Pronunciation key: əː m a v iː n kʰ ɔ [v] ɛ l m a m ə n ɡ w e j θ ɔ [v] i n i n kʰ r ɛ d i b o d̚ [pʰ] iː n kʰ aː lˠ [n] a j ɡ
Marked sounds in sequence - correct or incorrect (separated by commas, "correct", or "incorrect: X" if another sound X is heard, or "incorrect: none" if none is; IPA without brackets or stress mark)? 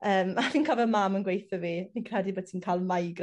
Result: correct, correct, incorrect: tʰ, incorrect: m